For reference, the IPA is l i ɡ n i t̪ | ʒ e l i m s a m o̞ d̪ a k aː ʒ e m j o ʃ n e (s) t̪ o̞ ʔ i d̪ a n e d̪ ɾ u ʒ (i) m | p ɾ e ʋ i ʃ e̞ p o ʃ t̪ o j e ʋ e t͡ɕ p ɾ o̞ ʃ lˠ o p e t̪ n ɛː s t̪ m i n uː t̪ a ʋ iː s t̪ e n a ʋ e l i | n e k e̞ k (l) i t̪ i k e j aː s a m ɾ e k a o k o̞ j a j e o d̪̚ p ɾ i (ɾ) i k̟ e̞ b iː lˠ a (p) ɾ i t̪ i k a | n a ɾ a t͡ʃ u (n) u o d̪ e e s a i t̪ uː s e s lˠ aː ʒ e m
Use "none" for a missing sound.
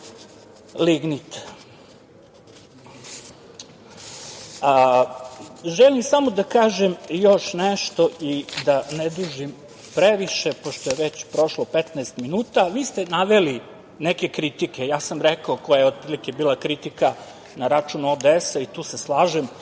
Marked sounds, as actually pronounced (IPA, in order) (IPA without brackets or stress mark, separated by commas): ʃ, i, ɾ, l, k, n